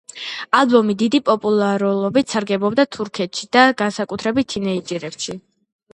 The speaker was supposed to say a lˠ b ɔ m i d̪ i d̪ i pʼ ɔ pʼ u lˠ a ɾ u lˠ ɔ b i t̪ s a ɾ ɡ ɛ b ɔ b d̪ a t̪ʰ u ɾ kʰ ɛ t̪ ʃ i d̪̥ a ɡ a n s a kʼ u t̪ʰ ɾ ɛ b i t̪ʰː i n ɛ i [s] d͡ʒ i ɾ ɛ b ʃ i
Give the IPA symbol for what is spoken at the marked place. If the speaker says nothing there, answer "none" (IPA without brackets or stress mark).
none